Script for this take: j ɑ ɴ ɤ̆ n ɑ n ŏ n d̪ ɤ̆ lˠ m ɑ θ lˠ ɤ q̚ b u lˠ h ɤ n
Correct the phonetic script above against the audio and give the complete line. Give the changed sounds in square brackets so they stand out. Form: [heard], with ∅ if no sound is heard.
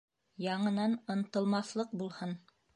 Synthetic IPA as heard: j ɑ ɴ ɤ̆ n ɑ n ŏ n [t̪] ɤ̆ lˠ m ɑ θ lˠ ɤ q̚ b u lˠ h ɤ n